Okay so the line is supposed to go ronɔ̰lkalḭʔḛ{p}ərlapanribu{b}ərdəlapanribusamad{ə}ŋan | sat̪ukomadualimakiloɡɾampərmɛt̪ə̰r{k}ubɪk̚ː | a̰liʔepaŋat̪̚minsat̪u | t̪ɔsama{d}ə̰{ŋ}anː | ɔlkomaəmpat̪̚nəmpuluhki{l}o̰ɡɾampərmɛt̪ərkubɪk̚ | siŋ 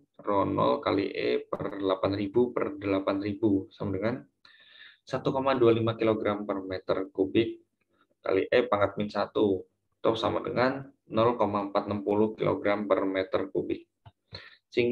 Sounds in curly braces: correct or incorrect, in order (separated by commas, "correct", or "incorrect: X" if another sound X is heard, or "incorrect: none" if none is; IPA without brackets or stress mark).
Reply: correct, incorrect: p, correct, correct, correct, correct, correct